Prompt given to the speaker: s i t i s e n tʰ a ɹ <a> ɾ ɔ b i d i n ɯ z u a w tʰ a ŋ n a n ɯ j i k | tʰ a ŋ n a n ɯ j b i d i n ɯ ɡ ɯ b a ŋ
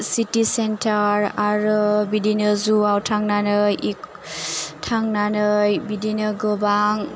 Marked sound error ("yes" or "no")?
no